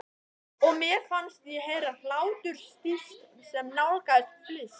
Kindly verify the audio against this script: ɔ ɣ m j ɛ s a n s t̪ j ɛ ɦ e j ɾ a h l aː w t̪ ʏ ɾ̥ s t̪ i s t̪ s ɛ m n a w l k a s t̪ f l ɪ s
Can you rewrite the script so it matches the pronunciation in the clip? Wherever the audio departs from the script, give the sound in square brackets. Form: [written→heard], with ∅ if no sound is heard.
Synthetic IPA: ɔ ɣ m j ɛ [s→f] a n s t̪ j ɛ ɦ e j ɾ a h l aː w t̪ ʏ ɾ̥ s t̪ i s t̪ s ɛ m n a w l k a s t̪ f l ɪ s